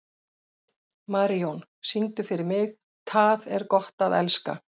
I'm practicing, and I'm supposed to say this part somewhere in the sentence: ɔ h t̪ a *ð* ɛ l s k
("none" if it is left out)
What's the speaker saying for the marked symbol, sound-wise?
ð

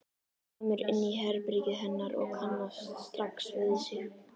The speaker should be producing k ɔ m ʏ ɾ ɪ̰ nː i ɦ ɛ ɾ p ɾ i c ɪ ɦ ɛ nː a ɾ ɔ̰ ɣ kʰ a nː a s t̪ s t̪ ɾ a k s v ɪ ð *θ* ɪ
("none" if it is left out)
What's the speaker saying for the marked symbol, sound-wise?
s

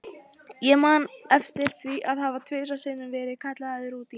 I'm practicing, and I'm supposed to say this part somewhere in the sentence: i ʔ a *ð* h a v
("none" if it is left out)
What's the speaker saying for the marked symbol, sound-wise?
ð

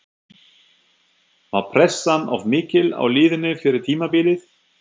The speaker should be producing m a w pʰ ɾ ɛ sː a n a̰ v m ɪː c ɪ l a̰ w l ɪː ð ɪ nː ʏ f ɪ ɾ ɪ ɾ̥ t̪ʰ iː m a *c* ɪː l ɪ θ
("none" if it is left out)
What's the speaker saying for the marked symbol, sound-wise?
p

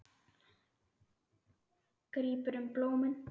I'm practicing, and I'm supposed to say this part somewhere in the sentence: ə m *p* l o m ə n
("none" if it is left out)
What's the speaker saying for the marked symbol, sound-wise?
p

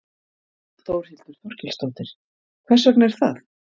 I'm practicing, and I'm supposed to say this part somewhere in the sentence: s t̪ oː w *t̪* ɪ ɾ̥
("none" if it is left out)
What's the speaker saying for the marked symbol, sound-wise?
t̪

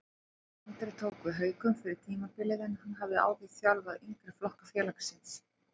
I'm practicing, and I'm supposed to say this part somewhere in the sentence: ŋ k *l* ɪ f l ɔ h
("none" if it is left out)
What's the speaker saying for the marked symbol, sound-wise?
ɾ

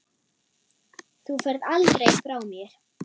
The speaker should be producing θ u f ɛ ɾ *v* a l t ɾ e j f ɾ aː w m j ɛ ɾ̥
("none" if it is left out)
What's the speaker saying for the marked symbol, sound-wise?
ð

